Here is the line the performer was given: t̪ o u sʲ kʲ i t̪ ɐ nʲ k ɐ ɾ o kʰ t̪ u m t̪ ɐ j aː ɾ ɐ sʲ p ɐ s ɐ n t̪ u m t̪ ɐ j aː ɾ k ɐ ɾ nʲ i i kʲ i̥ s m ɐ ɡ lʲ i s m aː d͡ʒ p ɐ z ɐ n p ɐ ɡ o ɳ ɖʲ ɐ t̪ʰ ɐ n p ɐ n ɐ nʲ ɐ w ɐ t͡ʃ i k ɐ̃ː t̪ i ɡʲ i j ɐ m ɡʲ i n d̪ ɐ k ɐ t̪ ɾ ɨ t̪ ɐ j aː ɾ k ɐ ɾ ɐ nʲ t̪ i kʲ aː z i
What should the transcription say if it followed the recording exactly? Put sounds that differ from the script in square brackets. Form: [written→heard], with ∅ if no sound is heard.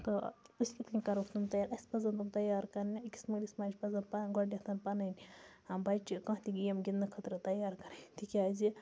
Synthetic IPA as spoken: t̪ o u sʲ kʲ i t̪ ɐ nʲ k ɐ ɾ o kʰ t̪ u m t̪ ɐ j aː ɾ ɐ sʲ p ɐ [s→z] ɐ n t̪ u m t̪ ɐ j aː ɾ k ɐ ɾ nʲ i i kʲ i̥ s m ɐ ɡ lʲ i s m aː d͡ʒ p ɐ z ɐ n p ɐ ɡ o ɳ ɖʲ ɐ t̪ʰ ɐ n p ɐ n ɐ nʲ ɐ [w→b] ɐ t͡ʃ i k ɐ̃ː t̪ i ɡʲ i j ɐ m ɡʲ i n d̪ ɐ [k→kʰ] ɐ t̪ ɾ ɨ t̪ ɐ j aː ɾ k ɐ ɾ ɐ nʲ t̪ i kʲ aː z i

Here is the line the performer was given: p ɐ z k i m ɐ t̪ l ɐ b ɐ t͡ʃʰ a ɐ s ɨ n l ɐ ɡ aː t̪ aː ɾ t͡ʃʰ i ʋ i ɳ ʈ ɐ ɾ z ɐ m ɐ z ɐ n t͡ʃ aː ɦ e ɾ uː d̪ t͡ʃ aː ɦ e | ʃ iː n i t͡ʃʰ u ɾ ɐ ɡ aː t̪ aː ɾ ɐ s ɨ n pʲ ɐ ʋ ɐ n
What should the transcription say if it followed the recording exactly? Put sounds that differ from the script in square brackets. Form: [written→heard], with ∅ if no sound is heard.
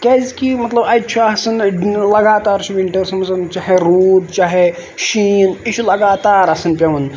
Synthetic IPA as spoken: [p→k] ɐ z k i m ɐ t̪ l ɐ b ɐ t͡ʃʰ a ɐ s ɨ n l ɐ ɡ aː t̪ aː ɾ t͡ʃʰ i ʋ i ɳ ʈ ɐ ɾ [z→s] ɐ m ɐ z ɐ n t͡ʃ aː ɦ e ɾ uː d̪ t͡ʃ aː ɦ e | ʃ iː n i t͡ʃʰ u [ɾ→l] ɐ ɡ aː t̪ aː ɾ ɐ s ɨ n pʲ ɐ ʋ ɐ n

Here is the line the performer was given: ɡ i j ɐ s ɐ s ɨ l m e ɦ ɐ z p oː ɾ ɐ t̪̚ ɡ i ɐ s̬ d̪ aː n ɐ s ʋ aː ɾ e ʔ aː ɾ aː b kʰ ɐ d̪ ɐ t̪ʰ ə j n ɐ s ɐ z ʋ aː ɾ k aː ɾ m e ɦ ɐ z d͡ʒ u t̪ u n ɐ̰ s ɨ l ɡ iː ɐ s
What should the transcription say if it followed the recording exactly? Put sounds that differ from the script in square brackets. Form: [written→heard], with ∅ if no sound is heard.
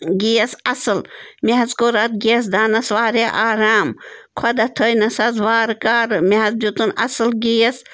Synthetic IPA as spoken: ɡ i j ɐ s ɐ s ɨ l m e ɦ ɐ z [p→k] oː ɾ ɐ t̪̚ ɡ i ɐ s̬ d̪ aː n ɐ s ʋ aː ɾ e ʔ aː ɾ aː [b→m] kʰ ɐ d̪ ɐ t̪ʰ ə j n ɐ s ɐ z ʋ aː ɾ k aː ɾ m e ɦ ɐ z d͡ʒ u t̪ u n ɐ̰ s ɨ l ɡ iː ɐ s

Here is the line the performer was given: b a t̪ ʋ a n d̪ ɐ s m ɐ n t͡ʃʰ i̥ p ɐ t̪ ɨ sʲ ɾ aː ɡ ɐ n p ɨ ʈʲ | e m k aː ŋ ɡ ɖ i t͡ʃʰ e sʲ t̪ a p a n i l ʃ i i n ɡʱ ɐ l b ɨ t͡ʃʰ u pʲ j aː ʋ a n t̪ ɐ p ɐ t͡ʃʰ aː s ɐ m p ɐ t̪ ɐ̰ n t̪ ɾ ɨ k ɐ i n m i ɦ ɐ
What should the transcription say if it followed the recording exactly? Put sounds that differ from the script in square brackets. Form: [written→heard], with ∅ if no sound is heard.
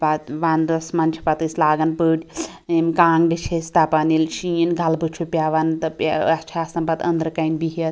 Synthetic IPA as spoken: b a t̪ ʋ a n d̪ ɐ s m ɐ n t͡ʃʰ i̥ p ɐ t̪ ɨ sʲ [ɾ→l] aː ɡ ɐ n p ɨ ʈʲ | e m k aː ŋ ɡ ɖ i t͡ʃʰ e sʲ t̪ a p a n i l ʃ i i n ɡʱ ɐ l b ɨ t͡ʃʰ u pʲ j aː ʋ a n t̪ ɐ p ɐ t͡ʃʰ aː s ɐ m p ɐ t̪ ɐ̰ n [t̪→d̪] ɾ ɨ k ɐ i n [m→b] i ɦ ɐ

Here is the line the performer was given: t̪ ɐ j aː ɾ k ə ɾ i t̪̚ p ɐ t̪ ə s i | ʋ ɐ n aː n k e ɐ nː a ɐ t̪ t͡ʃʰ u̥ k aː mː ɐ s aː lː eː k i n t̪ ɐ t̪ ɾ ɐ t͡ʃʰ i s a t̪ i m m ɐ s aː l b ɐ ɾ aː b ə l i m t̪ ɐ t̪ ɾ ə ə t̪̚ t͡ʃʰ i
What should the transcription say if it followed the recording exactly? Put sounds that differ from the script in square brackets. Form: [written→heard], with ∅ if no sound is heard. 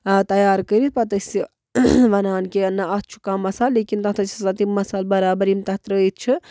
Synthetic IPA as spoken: t̪ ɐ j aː ɾ k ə ɾ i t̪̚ p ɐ t̪ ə s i | ʋ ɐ n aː n k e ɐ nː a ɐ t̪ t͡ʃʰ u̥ k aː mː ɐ s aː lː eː k i n t̪ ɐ t̪ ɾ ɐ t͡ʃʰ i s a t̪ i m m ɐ s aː l b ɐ ɾ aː b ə [l→ɾ] i m t̪ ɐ t̪ ɾ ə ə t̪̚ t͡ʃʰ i

